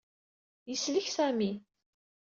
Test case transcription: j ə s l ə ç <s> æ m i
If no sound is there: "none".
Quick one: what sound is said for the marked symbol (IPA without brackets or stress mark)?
s